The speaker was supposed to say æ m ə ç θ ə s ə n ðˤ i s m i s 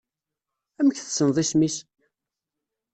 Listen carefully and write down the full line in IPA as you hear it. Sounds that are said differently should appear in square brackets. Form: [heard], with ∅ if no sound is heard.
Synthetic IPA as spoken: æ m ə ç θ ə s ə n ðˤ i s m i s